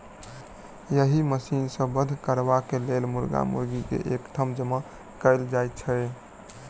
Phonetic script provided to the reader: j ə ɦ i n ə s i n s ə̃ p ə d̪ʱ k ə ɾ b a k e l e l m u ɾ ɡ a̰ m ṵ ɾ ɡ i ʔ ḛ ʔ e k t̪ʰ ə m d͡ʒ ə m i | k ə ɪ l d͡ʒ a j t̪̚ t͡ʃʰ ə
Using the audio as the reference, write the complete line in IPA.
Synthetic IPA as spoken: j ə ɦ i m ə s i n s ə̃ b ə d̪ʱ k ə ɾ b a k e l e l m u ɾ ɡ a̰ m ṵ ɾ ɡ i k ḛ ʔ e k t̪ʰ ə m d͡ʒ ə m a | k ə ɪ l d͡ʒ a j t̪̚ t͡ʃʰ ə